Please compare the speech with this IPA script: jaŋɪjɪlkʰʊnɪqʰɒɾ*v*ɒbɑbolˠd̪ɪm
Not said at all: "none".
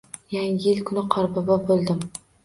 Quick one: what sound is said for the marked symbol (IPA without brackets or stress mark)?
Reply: b